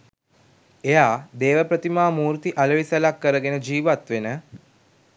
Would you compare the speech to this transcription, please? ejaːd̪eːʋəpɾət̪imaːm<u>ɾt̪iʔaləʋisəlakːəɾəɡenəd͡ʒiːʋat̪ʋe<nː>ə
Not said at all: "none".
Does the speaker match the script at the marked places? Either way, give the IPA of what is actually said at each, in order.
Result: uː, n

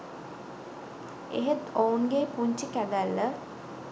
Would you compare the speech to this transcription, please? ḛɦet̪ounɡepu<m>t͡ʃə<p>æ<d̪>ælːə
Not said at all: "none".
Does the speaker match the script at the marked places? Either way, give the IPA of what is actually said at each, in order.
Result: ɲ, k, d̪

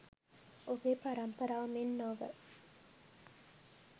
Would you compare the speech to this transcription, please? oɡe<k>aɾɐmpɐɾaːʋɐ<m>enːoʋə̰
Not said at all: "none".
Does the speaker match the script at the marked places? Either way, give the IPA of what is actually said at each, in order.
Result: p, m

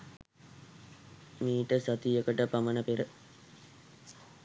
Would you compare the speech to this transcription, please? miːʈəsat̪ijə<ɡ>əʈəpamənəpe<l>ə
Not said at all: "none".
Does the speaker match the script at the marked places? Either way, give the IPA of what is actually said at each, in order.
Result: k, ɾ

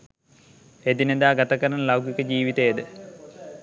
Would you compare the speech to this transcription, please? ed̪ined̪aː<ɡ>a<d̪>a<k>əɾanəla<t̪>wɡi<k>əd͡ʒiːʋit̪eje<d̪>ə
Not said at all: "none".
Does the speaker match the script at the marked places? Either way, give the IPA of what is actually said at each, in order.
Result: ɡ, t̪, k, none, k, d̪

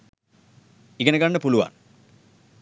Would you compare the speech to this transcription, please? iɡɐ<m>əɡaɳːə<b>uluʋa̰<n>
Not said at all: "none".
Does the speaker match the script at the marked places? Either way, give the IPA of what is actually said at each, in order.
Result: n, p, n

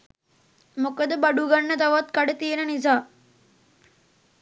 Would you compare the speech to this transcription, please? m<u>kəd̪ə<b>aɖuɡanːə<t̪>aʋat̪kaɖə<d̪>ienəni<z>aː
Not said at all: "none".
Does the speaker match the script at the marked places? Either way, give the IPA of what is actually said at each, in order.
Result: o, b, t̪, t̪, z

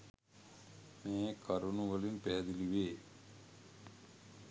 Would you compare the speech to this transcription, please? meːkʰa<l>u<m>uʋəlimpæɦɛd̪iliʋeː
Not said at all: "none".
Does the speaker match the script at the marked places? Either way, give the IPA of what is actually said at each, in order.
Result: ɾ, n

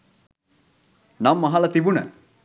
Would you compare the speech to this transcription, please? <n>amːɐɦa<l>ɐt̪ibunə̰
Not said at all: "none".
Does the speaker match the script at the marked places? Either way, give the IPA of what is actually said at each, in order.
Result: n, l

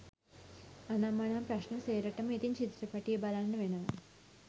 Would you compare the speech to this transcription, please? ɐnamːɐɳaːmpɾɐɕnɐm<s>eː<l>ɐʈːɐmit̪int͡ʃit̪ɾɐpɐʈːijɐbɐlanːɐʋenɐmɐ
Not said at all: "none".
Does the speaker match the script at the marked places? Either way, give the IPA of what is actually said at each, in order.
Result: s, ɾ

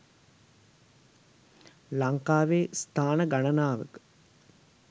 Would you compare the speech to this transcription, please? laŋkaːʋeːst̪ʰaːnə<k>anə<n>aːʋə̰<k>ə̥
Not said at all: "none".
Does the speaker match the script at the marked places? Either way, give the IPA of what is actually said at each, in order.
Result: ɡ, n, k

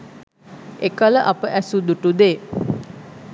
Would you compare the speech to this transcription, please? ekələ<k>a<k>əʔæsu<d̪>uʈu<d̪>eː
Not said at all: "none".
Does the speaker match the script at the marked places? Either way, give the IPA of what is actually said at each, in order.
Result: ʔ, p, d̪, d̪

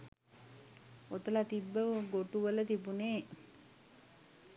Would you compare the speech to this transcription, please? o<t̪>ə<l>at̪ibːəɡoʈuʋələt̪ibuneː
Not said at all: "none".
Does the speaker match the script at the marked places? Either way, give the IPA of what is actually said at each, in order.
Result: t̪, l

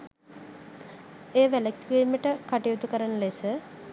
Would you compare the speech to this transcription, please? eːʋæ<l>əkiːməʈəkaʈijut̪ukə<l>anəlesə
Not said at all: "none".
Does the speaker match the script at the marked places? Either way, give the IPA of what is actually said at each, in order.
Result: l, ɾ

